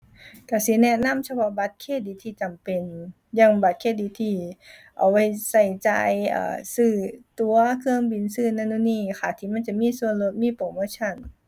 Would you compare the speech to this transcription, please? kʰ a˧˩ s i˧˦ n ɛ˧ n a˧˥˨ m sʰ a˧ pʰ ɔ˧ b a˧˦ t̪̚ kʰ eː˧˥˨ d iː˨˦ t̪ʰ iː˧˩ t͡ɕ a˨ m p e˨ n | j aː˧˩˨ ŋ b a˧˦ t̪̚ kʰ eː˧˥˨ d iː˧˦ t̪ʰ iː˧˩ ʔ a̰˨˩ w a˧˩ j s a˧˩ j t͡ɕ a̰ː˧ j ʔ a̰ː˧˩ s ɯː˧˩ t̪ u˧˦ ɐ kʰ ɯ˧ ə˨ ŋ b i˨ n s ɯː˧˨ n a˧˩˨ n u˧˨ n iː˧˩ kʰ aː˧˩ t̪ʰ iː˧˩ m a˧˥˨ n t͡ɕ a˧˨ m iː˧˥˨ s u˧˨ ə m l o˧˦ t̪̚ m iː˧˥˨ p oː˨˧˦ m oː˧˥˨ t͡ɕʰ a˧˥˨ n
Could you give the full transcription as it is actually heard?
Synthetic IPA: k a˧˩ s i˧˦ n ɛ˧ n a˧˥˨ m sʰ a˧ pʰ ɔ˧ b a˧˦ t̪̚ kʰ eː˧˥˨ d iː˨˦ t̪ʰ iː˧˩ t͡ɕ a˨ m p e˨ n | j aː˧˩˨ ŋ b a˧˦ t̪̚ kʰ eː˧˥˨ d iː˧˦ t̪ʰ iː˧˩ ʔ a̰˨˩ w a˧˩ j s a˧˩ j t͡ɕ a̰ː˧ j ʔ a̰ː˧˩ s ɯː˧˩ t̪ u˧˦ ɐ kʰ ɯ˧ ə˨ ŋ b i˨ n s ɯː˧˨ n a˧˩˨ n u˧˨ n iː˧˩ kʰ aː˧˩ t̪ʰ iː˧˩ m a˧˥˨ n t͡ɕ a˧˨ m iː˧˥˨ s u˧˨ ə n l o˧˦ t̪̚ m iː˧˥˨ p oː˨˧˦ m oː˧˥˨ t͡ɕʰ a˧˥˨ n

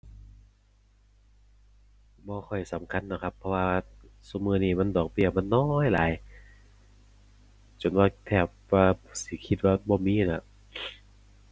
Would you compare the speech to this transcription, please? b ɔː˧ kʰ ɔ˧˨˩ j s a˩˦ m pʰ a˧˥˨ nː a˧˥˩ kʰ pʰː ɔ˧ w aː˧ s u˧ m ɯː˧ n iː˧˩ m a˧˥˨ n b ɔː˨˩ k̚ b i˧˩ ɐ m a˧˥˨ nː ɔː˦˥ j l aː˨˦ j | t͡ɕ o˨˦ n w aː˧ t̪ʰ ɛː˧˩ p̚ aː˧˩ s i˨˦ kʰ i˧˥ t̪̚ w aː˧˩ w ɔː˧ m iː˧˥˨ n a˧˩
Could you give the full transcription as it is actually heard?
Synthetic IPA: b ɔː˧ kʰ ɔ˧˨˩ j s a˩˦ m kʰ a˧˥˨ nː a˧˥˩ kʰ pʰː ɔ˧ w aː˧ s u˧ m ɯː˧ n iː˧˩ m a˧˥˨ n d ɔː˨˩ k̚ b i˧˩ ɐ m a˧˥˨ nː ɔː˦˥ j l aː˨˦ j | t͡ɕ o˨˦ n w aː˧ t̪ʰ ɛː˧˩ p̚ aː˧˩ s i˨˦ kʰ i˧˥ t̪̚ w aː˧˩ b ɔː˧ m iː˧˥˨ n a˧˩

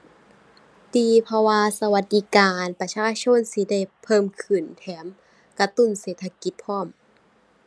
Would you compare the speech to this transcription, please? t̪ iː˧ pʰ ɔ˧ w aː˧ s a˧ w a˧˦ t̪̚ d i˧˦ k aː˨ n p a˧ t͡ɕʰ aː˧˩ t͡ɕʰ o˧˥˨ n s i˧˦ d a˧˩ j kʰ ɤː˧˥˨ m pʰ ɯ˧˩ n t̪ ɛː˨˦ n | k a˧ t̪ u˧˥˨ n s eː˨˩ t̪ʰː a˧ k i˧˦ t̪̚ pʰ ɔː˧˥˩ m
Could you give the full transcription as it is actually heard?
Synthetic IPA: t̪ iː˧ pʰ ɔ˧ w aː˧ s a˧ w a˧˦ t̪̚ d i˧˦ k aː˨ n p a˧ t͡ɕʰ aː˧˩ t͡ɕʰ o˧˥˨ n s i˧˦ d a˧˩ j pʰ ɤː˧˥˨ m kʰ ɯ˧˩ n t̪ʰ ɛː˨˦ m | k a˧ t̪ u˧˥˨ n s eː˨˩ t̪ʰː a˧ k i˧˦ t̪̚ pʰ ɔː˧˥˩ m

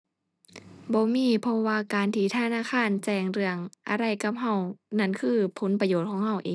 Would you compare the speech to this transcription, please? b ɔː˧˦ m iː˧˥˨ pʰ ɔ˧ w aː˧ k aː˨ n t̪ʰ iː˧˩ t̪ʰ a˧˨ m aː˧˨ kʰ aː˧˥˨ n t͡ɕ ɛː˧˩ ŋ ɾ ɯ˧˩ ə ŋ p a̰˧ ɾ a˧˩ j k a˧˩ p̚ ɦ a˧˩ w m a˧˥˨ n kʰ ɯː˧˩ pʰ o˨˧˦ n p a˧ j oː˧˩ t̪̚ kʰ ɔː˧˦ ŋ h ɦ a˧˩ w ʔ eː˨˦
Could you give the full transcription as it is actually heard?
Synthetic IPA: b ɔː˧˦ m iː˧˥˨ pʰ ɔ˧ w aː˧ k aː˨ n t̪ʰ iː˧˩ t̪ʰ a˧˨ n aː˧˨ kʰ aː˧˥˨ n t͡ɕ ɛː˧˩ ŋ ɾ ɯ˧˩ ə ŋ ʔ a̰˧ ɾ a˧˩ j k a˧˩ p̚ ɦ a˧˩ w n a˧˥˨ n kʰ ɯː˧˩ pʰ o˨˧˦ n p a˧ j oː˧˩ t̪̚ kʰ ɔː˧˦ ŋ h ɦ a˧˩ w ʔ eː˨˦

